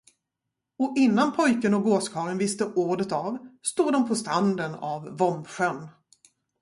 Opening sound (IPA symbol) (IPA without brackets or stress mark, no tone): ɔ